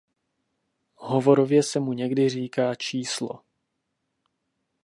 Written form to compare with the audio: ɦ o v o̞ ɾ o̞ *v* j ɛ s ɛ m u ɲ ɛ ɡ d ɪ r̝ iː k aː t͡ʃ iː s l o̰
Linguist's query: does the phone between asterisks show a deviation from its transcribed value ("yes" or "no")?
no